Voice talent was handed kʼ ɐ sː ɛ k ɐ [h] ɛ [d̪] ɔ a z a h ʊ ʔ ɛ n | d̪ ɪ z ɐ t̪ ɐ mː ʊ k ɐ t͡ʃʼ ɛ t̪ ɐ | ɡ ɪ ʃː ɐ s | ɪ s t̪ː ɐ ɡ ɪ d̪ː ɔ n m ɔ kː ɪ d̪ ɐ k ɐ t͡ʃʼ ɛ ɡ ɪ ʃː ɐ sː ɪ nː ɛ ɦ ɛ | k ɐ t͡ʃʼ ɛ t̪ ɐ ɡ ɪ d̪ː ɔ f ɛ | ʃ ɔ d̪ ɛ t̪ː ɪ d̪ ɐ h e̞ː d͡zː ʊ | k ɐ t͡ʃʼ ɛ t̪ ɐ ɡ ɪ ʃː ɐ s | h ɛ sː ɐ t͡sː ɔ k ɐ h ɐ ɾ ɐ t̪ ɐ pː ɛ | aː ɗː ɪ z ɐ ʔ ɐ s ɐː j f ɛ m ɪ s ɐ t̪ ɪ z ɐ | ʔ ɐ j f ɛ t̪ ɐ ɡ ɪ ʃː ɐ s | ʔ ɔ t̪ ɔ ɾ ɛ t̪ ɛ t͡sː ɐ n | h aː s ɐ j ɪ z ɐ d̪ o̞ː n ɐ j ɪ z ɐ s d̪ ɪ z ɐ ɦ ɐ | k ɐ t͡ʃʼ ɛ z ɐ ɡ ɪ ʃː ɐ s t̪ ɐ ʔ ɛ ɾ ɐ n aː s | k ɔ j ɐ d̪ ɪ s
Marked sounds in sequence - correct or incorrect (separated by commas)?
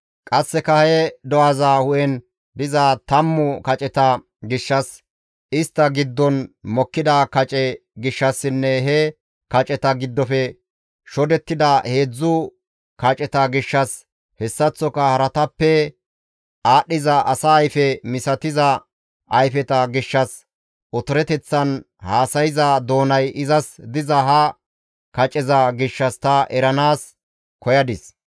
correct, correct